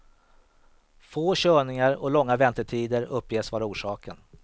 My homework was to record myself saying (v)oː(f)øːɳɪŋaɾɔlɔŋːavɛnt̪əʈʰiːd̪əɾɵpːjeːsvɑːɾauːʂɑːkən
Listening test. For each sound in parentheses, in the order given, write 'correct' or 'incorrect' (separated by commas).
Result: incorrect, incorrect